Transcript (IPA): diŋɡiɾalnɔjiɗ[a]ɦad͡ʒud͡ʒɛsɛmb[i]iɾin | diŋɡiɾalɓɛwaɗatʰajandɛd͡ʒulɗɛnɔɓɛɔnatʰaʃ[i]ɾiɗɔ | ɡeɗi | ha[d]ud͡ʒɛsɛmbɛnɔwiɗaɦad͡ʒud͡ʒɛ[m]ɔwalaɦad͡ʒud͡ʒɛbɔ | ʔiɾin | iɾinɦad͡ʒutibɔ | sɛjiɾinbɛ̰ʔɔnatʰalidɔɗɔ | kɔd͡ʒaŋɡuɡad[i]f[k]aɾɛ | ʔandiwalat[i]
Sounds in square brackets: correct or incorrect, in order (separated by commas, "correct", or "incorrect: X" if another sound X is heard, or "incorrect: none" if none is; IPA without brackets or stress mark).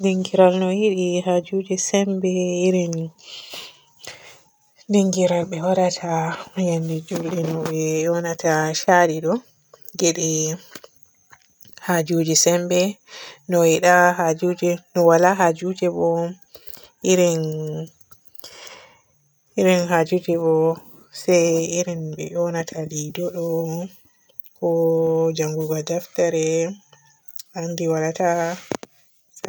incorrect: i, incorrect: ɛ, incorrect: a, incorrect: d͡ʒ, incorrect: n, incorrect: a, incorrect: t, incorrect: a